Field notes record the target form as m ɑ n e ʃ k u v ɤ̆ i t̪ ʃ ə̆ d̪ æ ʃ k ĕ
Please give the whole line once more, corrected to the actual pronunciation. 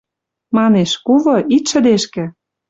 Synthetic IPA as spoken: m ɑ n e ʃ k u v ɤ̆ i t̪ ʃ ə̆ d̪ e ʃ k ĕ

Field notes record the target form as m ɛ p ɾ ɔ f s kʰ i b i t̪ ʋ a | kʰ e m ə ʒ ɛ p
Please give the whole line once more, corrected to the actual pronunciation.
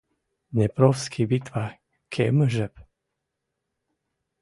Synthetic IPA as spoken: n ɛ p ɾ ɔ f s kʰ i b i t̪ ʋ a | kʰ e m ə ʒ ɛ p

